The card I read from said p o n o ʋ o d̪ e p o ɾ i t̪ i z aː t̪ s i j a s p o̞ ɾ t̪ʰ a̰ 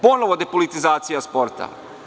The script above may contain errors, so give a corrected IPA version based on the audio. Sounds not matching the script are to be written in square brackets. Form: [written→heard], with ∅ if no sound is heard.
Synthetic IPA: p o n o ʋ o d̪ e p o [ɾ→l] i t̪ i z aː t̪ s i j a s p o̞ ɾ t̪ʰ a̰